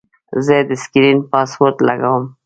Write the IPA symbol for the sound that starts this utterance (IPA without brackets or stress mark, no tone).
z